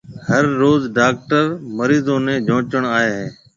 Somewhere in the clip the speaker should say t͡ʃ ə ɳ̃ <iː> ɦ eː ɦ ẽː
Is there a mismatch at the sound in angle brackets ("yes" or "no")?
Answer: yes